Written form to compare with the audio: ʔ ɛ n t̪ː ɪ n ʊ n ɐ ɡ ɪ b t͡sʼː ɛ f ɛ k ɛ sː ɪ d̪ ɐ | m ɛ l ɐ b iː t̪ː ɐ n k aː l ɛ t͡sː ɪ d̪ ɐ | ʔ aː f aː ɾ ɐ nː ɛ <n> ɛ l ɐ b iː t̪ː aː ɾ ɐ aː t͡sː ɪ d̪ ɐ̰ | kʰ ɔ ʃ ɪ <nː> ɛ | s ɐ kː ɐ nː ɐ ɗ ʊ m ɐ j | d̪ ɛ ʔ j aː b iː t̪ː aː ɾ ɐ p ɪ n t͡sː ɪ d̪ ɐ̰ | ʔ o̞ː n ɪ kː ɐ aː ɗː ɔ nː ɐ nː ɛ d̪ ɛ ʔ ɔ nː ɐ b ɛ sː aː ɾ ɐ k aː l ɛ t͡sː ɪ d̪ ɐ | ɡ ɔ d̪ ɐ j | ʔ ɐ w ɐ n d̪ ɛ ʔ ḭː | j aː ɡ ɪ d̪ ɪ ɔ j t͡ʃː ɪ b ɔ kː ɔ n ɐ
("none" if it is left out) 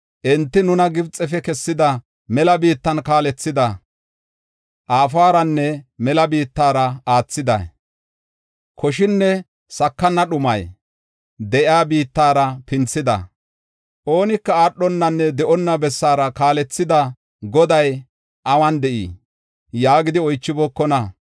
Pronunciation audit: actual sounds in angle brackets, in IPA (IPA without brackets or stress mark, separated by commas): m, nː